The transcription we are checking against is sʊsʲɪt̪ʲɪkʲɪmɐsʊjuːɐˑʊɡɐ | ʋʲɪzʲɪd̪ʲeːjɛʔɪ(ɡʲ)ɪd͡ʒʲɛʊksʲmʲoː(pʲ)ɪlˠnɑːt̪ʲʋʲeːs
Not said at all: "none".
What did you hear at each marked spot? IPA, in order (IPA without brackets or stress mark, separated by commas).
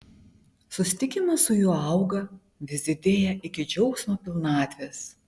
kʲ, pʲ